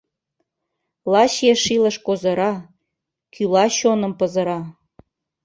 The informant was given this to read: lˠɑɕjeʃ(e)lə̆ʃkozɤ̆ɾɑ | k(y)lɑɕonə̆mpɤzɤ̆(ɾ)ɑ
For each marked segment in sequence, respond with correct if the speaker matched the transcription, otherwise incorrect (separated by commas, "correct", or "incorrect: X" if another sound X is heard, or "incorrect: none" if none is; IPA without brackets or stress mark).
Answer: incorrect: i, correct, correct